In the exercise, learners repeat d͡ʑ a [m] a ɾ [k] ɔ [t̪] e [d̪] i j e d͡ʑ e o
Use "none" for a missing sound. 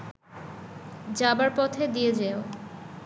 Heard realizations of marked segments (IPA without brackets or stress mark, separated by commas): b, p, t̪ʰ, d̪